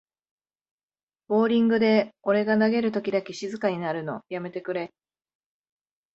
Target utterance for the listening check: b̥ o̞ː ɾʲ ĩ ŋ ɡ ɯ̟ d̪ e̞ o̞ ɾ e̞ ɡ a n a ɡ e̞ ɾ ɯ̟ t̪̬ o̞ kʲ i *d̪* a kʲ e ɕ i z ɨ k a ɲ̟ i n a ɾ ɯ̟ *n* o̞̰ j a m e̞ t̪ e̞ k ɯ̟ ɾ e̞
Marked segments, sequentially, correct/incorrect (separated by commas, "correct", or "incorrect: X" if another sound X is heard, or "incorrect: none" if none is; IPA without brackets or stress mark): correct, correct